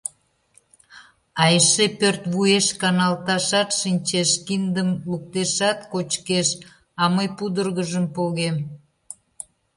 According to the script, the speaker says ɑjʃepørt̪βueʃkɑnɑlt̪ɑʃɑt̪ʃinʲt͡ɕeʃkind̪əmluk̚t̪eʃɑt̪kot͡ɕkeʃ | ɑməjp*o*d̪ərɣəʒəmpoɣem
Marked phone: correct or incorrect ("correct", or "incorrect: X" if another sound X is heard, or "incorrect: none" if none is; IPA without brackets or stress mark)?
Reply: incorrect: u